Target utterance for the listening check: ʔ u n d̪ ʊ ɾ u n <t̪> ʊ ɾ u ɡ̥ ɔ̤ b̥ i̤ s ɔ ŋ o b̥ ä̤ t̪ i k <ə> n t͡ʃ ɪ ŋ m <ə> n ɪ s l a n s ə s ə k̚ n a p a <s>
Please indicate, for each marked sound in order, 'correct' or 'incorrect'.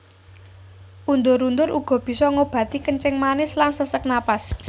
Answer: incorrect: d̪, correct, incorrect: a, correct

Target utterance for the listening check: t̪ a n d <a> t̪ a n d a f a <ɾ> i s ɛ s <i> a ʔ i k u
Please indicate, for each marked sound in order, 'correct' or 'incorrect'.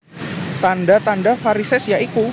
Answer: correct, correct, incorrect: j

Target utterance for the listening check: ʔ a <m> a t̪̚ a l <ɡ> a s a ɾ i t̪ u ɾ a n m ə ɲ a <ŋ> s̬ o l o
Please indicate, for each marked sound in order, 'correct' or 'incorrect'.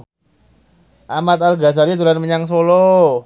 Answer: correct, correct, correct

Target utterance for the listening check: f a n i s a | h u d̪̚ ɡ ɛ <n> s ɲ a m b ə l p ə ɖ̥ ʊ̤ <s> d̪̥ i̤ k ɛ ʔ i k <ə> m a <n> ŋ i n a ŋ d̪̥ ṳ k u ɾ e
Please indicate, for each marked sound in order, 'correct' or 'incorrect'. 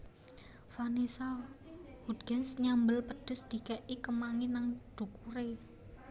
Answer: correct, correct, correct, incorrect: none

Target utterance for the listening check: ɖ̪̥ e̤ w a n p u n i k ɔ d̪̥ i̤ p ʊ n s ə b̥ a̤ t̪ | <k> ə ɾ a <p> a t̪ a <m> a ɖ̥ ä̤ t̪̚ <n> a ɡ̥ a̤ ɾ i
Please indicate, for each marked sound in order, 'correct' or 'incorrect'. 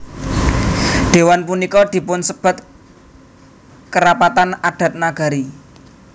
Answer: correct, correct, incorrect: n, correct

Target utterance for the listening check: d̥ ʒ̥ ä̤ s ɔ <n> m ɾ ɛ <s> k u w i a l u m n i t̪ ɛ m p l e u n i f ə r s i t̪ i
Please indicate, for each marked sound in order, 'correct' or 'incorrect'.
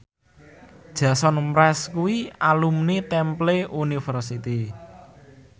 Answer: correct, correct

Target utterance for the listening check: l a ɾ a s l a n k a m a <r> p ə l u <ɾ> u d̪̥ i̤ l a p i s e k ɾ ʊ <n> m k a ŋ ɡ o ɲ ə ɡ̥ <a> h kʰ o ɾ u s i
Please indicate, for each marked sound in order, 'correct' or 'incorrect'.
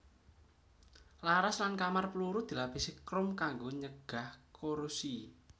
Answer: correct, correct, incorrect: none, correct

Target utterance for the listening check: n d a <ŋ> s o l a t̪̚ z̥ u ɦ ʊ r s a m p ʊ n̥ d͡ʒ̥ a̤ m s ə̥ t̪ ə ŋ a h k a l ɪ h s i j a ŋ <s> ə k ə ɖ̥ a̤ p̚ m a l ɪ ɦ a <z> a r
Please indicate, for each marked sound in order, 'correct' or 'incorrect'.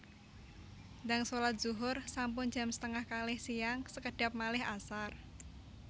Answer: correct, correct, incorrect: s

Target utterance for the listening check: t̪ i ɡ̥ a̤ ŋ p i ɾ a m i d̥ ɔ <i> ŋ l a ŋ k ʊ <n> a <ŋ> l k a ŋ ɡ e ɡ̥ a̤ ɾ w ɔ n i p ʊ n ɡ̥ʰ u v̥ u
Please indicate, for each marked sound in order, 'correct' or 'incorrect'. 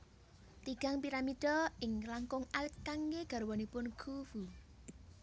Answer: incorrect: ɪ, incorrect: ŋ, incorrect: none

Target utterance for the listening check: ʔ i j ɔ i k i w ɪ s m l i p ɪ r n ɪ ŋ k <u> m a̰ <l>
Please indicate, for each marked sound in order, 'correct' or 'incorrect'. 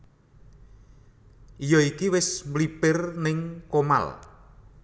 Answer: incorrect: o, correct

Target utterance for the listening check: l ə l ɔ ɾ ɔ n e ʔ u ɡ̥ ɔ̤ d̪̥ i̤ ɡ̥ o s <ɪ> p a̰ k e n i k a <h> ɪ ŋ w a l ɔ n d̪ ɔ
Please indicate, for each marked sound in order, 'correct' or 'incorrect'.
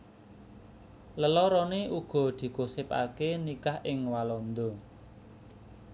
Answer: correct, correct

